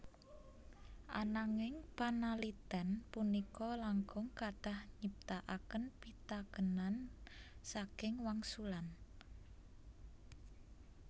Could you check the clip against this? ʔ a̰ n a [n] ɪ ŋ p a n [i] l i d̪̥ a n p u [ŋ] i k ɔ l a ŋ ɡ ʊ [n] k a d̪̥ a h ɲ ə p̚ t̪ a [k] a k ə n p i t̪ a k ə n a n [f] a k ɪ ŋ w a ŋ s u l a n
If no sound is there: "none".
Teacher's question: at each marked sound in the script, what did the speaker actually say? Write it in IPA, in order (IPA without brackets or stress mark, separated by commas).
ŋ, a, n, ŋ, ʔ, s